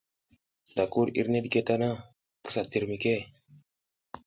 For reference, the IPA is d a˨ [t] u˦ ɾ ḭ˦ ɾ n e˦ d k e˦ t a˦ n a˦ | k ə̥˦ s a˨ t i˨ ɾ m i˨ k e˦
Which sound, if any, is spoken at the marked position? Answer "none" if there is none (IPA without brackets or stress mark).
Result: k